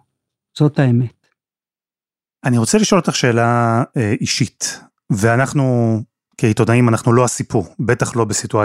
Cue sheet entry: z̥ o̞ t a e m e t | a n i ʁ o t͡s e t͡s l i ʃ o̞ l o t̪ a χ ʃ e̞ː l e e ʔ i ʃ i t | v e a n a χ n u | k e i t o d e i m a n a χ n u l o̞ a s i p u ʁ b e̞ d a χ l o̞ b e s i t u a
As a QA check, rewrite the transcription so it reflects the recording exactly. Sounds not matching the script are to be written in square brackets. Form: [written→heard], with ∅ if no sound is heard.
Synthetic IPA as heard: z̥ o̞ t a e m e t | a n i ʁ o t͡s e [t͡s→∅] l i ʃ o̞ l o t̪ a χ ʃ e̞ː l [e→a] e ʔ i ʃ i t | v e a n a χ n u | k e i t o d [e→a] i m a n a χ n u l o̞ a s i p u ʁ b e̞ [d→t] a χ l o̞ b e s i t u a